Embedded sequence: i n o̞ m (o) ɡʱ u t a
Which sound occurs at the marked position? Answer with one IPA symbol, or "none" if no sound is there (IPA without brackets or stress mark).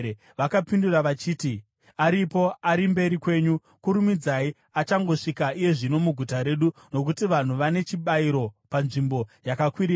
u